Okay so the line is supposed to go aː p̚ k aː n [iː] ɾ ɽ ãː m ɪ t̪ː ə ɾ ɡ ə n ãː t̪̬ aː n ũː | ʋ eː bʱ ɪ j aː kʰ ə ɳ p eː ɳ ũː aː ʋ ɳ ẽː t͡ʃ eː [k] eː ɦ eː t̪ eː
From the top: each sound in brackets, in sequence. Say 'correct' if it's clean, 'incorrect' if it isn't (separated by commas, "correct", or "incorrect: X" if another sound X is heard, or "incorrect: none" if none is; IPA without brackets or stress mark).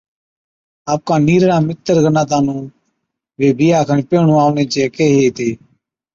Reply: correct, correct